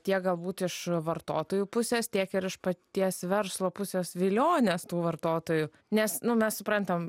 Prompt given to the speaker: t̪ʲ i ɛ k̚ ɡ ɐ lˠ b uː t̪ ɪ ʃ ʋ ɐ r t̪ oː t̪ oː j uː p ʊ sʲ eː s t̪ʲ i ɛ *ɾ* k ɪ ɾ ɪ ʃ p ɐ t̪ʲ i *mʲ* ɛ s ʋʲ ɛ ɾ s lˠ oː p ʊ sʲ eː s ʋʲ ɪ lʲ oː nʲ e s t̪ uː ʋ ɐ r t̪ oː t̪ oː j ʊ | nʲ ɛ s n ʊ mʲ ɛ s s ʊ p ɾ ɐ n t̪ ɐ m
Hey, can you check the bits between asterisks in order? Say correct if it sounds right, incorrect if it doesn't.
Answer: incorrect: none, incorrect: none

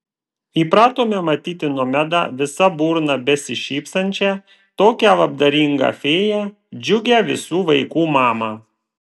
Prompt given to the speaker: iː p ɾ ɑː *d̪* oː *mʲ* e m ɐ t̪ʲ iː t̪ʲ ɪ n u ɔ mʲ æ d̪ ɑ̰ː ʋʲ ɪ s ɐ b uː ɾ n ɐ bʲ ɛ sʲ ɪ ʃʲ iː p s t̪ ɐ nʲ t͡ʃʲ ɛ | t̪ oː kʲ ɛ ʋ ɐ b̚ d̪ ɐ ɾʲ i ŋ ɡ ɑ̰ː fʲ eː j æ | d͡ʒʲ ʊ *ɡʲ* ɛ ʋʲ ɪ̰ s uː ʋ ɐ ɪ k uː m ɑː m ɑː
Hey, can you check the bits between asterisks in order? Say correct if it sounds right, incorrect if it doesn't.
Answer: incorrect: t̪, correct, correct

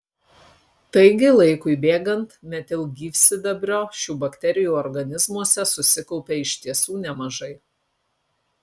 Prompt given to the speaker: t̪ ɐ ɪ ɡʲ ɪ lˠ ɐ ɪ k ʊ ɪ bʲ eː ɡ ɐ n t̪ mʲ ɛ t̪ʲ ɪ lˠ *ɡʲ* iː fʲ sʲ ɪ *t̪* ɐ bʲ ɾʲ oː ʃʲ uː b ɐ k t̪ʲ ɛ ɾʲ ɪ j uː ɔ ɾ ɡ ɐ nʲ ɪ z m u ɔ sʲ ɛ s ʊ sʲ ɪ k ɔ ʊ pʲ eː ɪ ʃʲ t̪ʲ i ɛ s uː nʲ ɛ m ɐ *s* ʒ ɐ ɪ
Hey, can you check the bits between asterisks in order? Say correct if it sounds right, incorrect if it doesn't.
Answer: correct, incorrect: d̪, incorrect: none

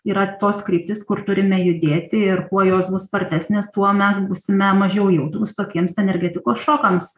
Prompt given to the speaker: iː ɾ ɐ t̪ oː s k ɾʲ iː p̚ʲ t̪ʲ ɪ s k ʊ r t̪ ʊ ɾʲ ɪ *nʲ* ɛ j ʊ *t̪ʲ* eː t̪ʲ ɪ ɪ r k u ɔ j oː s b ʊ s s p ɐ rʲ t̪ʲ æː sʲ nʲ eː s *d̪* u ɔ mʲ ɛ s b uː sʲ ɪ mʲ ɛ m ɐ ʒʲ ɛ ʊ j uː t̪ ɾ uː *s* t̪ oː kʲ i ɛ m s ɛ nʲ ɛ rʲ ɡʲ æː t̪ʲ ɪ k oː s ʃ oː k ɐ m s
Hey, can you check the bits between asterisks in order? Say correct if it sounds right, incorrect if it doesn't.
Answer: incorrect: mʲ, incorrect: d̪ʲ, incorrect: t̪, correct

